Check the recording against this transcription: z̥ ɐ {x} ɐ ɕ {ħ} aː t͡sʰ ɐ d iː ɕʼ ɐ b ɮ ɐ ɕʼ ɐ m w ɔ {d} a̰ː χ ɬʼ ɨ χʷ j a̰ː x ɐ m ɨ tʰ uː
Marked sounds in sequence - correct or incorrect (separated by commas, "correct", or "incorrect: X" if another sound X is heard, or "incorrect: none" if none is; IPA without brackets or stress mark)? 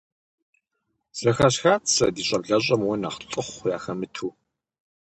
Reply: correct, incorrect: x, incorrect: n